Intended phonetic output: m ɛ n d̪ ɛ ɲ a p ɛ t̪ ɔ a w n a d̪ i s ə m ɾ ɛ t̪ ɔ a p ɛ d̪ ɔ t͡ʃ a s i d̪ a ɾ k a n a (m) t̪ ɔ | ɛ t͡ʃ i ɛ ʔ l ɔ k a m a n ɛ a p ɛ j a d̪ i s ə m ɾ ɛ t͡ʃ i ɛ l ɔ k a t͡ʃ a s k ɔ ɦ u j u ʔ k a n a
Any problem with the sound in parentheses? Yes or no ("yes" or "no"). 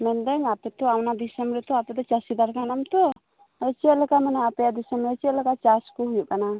no